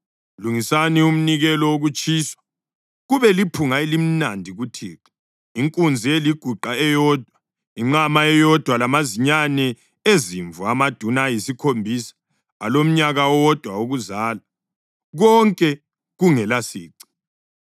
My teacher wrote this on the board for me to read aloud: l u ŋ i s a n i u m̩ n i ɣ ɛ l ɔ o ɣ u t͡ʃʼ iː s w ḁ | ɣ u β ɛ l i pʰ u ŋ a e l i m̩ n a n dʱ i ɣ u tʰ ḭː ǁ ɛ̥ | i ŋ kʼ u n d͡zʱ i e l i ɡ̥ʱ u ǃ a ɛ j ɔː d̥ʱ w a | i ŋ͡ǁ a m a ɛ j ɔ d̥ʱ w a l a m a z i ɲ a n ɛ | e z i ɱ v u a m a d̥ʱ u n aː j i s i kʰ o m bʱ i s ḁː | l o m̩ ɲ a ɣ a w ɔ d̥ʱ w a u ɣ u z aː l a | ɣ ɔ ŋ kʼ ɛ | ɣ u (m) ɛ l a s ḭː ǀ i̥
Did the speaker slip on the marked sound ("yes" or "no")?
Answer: yes